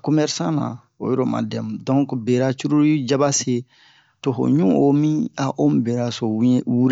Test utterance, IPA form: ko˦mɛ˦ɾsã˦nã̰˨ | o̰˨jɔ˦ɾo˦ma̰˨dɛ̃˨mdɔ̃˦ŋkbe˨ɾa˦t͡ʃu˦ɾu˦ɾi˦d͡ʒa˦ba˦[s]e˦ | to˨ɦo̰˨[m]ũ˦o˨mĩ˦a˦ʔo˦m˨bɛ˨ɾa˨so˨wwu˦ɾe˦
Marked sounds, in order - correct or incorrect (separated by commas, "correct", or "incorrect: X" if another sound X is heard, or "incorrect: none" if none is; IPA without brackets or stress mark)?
correct, incorrect: ɲ